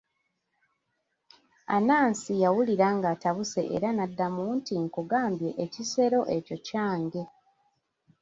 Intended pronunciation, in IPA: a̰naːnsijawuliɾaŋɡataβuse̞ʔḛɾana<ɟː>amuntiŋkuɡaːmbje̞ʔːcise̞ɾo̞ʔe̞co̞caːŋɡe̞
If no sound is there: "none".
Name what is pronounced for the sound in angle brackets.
dː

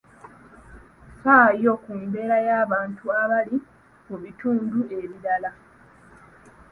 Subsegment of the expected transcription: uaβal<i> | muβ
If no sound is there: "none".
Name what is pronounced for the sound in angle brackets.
i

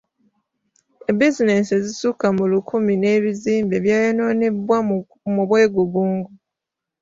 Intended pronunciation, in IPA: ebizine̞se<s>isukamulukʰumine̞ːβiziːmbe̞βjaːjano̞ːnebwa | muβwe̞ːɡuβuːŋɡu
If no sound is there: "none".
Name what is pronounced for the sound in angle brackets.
z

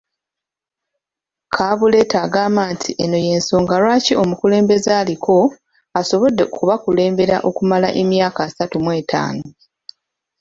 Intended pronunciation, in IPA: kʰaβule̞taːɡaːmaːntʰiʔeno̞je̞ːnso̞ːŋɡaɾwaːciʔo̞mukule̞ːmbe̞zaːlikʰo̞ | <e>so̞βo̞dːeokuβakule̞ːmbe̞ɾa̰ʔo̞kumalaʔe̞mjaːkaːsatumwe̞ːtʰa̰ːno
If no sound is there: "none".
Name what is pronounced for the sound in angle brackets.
a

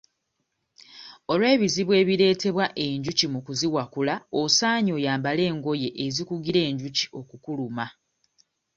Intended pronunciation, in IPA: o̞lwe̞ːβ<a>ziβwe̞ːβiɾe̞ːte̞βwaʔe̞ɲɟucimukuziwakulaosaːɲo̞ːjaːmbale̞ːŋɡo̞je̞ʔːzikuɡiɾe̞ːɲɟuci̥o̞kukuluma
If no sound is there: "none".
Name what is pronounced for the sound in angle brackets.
i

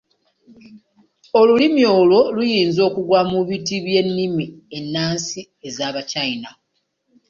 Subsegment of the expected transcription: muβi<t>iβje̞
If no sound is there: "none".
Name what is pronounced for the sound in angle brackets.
t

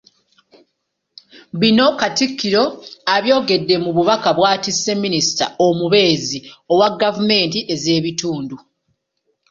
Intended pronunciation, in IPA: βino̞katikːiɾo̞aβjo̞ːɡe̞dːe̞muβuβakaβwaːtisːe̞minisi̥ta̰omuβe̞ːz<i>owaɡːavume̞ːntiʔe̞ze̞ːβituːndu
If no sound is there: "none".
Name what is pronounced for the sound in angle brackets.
i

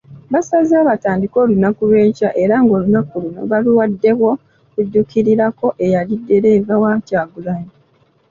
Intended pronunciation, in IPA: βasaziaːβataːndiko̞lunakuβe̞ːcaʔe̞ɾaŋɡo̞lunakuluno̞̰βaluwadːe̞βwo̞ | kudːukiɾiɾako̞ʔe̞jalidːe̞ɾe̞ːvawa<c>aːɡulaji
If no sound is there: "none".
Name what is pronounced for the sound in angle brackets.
c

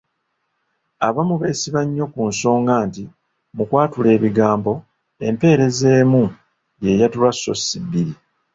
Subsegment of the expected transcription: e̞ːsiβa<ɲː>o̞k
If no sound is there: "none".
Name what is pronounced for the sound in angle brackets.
ɲː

